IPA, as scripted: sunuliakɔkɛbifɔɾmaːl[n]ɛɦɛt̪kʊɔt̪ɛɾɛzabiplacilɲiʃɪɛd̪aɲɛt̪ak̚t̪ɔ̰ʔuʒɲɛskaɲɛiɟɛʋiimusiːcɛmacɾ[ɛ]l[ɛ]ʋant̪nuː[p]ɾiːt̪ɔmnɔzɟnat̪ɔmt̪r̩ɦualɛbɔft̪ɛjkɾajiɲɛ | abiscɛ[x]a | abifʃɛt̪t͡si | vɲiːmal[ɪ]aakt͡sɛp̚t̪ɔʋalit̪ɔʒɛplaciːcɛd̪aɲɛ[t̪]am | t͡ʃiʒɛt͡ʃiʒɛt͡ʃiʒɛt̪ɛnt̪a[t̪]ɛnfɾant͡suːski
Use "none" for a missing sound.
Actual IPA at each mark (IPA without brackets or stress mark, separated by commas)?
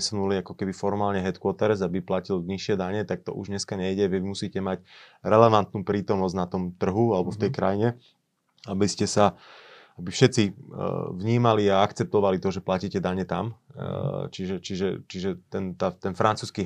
ɲ, ɛ, ɛ, p, s, i, t̪, t̪